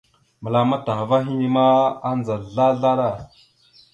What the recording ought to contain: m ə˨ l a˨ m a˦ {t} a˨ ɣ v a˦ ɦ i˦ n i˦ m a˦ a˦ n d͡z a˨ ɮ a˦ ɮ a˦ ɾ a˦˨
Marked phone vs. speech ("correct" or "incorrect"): correct